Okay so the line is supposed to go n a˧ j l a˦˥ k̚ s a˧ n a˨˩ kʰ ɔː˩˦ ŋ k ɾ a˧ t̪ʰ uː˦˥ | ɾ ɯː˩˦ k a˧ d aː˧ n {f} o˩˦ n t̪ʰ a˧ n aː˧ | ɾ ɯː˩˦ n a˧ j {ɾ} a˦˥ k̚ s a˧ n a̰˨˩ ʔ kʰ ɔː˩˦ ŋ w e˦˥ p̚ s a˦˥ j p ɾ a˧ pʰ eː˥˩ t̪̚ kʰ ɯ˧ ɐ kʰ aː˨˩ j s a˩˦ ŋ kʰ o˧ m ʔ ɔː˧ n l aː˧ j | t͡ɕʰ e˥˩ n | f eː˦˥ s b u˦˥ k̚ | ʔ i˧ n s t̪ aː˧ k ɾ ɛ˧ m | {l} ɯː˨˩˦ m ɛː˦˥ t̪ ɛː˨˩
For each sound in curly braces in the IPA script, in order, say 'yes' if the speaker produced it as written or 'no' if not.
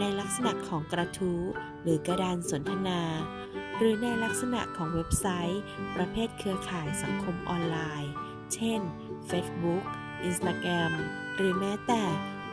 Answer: no, no, no

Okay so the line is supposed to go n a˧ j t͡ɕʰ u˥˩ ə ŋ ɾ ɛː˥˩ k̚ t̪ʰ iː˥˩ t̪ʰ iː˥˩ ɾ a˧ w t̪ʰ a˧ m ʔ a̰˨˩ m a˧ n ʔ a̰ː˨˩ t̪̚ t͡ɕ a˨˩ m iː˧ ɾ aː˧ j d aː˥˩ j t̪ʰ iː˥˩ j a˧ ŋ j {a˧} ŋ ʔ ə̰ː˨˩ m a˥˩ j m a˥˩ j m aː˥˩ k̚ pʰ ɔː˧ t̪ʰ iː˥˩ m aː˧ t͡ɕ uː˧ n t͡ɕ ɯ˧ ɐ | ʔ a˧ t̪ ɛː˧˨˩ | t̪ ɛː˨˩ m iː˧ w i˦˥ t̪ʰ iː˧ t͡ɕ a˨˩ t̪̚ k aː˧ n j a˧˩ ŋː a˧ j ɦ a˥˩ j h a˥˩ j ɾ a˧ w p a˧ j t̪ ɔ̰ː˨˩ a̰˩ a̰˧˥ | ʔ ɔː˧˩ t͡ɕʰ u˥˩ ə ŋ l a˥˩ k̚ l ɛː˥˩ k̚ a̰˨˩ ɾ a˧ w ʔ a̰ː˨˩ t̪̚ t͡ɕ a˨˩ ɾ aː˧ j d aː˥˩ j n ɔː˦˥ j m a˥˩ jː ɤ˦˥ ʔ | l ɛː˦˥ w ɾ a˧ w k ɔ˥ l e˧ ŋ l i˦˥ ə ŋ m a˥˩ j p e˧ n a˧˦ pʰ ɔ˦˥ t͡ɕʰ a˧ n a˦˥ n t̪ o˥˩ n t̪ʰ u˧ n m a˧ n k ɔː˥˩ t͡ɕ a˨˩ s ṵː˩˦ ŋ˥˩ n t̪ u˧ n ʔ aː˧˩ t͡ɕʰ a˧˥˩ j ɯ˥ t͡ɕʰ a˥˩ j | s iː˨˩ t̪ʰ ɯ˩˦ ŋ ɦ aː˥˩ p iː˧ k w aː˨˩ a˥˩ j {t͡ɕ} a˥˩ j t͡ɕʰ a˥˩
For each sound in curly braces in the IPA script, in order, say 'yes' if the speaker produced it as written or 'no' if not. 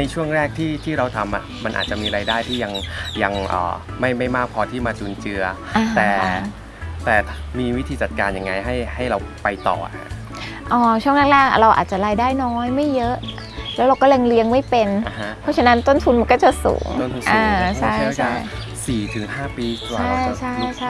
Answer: yes, no

